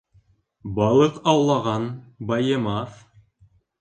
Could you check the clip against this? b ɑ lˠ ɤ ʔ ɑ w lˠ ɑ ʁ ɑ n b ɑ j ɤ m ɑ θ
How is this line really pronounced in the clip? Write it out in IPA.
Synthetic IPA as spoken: b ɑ lˠ ɤ q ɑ w lˠ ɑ ʁ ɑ n b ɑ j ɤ m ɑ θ